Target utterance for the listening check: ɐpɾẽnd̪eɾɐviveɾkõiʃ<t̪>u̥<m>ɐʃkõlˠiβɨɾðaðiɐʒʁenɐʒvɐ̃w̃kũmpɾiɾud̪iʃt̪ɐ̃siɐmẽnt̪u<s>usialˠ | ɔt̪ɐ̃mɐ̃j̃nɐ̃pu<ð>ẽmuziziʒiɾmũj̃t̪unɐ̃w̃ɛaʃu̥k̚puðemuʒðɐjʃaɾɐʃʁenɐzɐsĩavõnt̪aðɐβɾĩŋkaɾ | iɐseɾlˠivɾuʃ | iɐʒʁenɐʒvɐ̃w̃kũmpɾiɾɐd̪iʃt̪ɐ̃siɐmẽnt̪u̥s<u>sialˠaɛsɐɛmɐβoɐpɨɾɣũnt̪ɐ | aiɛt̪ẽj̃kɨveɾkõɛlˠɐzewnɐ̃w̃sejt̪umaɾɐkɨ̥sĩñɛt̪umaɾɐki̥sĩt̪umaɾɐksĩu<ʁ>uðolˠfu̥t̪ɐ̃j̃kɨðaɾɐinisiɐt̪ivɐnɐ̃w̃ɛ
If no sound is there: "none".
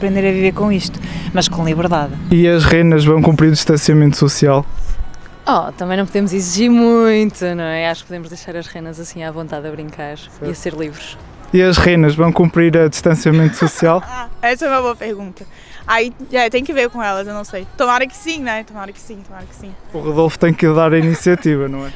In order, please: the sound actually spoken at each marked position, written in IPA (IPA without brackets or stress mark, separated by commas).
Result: t̪, m, s, ð, u, ʁ